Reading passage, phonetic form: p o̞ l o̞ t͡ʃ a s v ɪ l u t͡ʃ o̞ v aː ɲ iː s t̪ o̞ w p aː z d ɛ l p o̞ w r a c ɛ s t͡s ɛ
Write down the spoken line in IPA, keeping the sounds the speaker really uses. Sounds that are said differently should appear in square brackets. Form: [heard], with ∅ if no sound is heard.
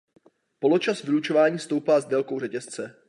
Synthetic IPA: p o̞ l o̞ t͡ʃ a s v ɪ l u t͡ʃ o̞ v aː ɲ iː s t̪ o̞ w p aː z d ɛ l [k] o̞ w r [ɛ] c ɛ s t͡s ɛ